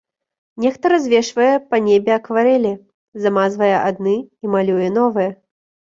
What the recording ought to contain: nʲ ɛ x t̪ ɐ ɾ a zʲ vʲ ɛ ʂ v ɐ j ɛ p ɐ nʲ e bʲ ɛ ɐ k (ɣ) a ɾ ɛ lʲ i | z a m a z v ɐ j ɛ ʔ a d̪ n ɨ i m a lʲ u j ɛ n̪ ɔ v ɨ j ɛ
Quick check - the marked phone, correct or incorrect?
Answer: incorrect